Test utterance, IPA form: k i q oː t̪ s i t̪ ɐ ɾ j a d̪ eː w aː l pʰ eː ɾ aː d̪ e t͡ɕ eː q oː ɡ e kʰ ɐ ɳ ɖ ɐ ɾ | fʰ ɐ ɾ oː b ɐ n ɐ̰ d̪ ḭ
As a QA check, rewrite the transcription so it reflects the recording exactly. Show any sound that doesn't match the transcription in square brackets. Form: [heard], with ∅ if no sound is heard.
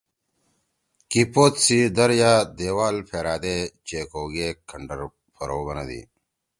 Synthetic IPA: k i [p] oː t̪ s i [d̪] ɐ ɾ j a d̪ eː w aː l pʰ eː ɾ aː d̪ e t͡ɕ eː [k] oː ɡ e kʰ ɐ ɳ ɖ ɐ ɾ | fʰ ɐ ɾ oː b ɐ n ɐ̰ d̪ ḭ